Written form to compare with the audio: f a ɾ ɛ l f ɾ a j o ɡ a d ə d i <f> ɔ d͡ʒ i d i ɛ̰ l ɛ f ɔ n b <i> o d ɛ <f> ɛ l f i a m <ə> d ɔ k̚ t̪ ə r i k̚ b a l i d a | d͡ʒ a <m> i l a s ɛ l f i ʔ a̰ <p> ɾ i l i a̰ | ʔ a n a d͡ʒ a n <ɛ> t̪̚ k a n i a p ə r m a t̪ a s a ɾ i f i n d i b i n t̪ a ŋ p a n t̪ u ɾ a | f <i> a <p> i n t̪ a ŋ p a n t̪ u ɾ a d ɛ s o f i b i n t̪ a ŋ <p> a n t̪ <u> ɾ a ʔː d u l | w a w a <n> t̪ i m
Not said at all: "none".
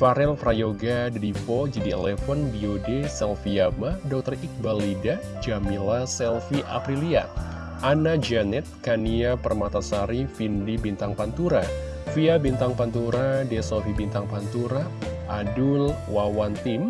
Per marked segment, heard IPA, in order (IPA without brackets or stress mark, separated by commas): f, i, s, a, m, p, ɛ, i, b, p, u, n